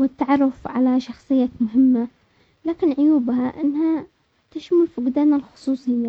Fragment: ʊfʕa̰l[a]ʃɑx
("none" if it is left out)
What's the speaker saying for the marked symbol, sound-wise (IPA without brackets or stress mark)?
a